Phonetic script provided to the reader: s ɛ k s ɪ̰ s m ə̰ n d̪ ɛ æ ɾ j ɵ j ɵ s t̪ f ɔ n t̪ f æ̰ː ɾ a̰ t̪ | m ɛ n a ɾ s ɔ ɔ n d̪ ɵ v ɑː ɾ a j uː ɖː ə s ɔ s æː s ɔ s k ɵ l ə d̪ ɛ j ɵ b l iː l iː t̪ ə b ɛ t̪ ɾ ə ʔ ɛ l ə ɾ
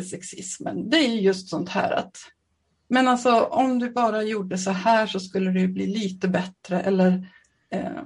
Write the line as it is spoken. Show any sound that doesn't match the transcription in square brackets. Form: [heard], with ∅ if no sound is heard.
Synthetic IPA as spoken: s ɛ k s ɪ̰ s m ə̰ n d̪ ɛ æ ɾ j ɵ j ɵ s t̪ [s] ɔ n t̪ [h] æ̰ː ɾ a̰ t̪ | m ɛ n a [l] s ɔ ɔ [m] d̪ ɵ [b] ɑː ɾ a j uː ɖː ə s ɔ [h] æː [ʂ] ɔ s k ɵ [lː] ə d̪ ɛ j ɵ b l iː l iː t̪ ə b ɛ t̪ ɾ ə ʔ ɛ [lː] ə ɾ